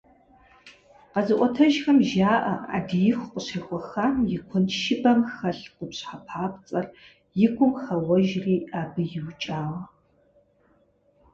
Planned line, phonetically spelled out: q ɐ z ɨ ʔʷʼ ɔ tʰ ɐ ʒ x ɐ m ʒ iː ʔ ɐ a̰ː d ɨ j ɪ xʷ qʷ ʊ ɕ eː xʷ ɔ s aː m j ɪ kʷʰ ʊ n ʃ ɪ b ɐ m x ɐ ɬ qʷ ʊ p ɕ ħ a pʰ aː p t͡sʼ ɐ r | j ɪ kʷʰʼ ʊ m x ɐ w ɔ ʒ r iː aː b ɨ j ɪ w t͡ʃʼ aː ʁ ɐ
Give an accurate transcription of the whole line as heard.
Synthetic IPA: q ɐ z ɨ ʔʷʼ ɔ tʰ ɐ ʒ x ɐ m ʒ aː ʔ ɐ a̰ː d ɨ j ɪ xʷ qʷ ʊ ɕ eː xʷ ɔ x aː m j ɪ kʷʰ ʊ n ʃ ɪ b ɐ m x ɐ ɬ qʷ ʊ p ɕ ħ a pʰ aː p t͡sʼ ɐ r | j ɪ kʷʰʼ ʊ m x ɐ w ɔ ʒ r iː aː b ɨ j ɪ w t͡ʃʼ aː ʁ ɐ